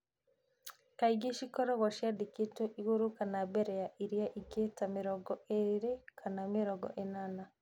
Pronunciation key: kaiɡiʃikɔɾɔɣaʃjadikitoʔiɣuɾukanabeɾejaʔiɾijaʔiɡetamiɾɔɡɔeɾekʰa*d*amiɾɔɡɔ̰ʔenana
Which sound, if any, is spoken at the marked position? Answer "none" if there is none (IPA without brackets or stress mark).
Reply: n